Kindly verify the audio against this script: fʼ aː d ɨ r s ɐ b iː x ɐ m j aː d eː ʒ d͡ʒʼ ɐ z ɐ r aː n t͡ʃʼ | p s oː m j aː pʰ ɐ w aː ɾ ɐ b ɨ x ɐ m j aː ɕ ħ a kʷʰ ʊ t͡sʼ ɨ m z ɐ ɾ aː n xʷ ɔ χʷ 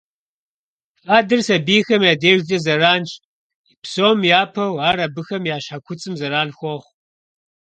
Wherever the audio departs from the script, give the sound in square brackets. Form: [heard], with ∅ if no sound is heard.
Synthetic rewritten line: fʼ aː d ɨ r s ɐ b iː x ɐ m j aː d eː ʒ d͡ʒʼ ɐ z ɐ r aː n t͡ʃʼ | p s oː m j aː pʰ ɐ w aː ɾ ɐ b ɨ x ɐ m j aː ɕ ħ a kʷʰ ʊ t͡sʼ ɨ m z ɐ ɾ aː n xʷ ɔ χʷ